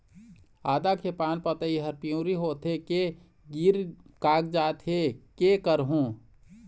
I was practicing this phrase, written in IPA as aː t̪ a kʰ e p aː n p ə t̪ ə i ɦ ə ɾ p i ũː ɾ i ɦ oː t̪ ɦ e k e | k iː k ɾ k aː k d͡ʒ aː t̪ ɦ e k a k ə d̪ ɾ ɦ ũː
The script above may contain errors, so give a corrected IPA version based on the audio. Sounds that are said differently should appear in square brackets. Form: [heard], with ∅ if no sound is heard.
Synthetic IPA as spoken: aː [d̪] a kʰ e p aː n p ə t̪ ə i ɦ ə ɾ p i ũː ɾ i ɦ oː t̪ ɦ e k e | [ɡ] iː [∅] ɾ k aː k d͡ʒ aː t̪ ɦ e k [e] k ə [∅] ɾ ɦ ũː